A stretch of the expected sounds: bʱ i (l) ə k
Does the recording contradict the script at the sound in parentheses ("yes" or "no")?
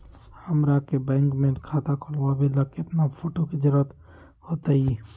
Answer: no